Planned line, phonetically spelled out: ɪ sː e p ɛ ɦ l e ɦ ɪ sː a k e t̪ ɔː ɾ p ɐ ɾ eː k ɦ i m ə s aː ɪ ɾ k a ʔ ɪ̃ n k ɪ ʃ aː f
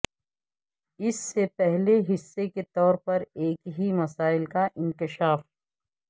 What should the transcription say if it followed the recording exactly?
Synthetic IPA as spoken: ɪ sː e p ɛ ɦ l e ɦ ɪ sː e k e t̪ ɔː ɾ p ɐ ɾ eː k ɦ i m ɐ s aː ɪ l k a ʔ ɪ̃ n k ɪ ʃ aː f